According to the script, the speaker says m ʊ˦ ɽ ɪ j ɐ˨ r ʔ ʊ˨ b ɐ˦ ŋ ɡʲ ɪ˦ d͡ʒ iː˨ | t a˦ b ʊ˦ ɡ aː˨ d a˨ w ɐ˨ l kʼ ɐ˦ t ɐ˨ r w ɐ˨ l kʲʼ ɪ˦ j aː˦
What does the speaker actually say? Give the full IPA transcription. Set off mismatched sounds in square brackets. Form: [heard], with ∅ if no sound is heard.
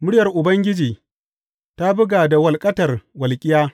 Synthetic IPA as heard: m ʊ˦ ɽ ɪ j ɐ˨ r ʔ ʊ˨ b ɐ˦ ŋ ɡʲ ɪ˦ d͡ʒ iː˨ | t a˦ b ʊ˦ ɡ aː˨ d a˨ w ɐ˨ l kʼ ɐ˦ t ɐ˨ r w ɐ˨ l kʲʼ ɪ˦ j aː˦

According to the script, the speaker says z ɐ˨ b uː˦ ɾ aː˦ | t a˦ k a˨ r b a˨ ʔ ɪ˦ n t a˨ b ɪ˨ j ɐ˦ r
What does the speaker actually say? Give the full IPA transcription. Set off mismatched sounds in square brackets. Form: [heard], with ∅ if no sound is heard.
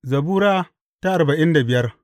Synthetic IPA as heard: z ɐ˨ b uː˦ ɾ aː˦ | t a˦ [ʔ] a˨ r b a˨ ʔ ɪ˦ n [d] a˨ b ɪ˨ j ɐ˦ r

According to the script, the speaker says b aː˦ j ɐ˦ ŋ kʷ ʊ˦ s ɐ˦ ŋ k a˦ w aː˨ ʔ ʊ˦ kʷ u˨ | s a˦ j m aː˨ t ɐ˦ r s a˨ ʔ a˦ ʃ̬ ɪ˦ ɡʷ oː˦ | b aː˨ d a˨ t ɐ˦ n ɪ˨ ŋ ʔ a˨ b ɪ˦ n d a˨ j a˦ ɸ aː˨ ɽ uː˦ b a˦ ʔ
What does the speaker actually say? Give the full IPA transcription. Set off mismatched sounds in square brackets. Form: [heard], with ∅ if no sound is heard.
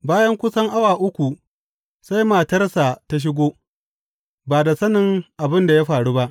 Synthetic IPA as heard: b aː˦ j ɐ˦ ŋ kʷ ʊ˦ s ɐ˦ ŋ [ʔ] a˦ w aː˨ ʔ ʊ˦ kʷ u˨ | s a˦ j m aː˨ t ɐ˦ r s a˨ [t] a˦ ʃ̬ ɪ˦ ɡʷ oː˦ | b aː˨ d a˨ [s] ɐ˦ n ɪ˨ ŋ ʔ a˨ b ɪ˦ n d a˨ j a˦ ɸ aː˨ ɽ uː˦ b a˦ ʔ

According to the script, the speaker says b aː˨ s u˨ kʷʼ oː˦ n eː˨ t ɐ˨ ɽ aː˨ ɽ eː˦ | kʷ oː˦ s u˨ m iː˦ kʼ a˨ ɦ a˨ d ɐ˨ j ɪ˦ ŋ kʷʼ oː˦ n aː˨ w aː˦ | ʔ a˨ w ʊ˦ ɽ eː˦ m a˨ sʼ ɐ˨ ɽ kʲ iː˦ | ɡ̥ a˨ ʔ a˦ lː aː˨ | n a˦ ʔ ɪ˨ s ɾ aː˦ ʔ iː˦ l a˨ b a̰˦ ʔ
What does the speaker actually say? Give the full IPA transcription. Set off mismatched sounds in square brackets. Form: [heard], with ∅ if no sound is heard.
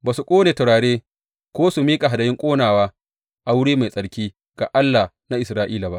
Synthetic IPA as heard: b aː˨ s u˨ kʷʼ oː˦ n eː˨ t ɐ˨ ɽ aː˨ ɽ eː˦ | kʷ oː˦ s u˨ m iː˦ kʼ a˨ ɦ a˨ d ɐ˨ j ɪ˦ ŋ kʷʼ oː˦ n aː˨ w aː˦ | ʔ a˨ w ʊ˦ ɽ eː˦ m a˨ sʼ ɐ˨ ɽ kʲ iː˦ | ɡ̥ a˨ ʔ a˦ lː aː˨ | n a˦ ʔ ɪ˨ s ɾ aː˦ ʔ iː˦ l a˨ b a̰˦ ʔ

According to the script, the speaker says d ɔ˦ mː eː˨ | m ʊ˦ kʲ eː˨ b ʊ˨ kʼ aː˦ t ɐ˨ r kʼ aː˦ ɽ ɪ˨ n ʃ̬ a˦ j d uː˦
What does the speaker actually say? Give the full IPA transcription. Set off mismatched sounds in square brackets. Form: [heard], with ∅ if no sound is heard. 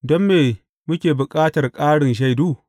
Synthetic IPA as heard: d ɔ˦ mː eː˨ | m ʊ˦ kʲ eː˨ b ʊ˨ kʼ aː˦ t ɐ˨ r kʼ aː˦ ɽ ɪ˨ n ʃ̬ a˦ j d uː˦

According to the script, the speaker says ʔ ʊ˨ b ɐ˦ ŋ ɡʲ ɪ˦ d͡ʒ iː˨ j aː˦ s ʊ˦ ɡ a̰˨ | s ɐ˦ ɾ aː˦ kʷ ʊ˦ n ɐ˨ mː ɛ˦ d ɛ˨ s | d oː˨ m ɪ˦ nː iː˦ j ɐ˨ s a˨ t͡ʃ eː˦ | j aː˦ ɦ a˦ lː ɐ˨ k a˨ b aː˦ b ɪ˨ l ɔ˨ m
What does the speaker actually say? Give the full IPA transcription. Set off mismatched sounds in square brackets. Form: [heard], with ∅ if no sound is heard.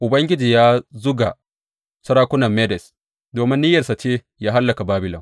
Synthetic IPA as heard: ʔ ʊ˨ b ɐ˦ ŋ ɡʲ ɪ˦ d͡ʒ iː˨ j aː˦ [z] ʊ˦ ɡ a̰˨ | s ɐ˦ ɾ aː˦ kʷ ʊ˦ n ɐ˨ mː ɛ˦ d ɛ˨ s | d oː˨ m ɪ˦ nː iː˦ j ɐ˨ s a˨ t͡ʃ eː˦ | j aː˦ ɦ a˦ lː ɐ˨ k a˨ b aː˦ b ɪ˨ l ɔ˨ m

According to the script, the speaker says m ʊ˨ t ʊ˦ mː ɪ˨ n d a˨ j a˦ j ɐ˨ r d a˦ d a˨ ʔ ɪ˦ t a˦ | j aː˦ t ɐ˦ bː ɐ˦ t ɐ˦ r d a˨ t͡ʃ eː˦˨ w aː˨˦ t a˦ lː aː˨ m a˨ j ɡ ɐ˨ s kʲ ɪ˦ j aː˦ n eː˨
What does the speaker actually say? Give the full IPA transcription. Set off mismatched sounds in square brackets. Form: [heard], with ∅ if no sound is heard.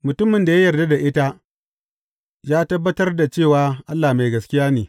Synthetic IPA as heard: m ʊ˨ t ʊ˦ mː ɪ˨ n d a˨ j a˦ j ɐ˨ r d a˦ d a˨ ʔ ɪ˦ t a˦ | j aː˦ t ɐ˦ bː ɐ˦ t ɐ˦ r d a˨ t͡ʃ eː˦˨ w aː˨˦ [ʔ] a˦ lː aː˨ m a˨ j ɡ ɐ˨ s kʲ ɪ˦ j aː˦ n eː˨

